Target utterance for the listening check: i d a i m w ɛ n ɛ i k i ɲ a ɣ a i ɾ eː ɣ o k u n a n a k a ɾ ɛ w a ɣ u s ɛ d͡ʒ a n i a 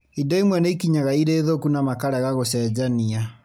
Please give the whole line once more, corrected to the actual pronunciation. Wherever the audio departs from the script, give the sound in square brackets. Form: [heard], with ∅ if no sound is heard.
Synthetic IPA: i d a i m w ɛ n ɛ i k i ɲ a ɣ a i ɾ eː [ð] o k u n a [m] a k a ɾ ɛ [ɣ] a ɣ [o] s ɛ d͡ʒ a n i a